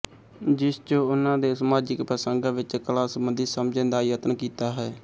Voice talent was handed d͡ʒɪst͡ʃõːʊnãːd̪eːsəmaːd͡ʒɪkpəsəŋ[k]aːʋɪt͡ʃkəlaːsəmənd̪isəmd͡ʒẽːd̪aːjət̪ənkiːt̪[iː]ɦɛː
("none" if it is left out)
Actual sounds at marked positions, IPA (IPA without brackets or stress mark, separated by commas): ɡ, aː